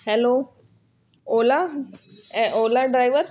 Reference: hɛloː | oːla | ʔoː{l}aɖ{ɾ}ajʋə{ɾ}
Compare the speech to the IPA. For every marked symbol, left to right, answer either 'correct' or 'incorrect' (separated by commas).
correct, correct, correct